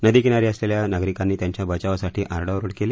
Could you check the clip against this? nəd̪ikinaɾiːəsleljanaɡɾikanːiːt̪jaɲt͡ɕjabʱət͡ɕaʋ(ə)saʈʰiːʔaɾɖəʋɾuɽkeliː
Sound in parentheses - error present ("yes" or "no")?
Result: yes